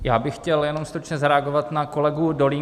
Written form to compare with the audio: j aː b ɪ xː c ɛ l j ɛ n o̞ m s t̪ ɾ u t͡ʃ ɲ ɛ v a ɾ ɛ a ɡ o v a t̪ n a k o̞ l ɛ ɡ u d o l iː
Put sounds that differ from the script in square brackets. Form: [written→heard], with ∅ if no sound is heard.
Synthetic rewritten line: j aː b ɪ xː c ɛ l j ɛ n o̞ m s t̪ ɾ u t͡ʃ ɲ ɛ [v→z] a ɾ ɛ a ɡ o v a t̪ n a k o̞ l ɛ ɡ u d o l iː